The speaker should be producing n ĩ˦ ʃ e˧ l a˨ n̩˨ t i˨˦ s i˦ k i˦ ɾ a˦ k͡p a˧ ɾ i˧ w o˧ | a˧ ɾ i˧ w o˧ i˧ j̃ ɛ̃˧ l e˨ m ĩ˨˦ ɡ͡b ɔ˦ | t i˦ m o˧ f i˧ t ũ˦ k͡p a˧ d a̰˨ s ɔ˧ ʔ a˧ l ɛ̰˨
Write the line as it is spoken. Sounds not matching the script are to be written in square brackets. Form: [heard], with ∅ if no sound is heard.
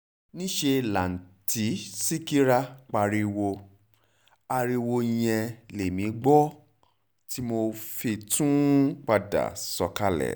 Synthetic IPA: n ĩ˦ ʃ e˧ l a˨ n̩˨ t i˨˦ s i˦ k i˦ ɾ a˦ k͡p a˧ ɾ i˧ w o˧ | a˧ ɾ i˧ w o˧ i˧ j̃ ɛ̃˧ l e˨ m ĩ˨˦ ɡ͡b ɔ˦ | t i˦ m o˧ f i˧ t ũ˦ k͡p a˧ d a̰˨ s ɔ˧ [k] a˧ l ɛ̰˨